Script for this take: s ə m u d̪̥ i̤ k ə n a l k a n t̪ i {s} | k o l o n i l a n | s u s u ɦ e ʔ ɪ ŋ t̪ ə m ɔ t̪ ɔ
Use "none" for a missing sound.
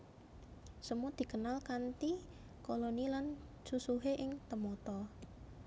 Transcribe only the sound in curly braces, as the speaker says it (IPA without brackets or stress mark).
none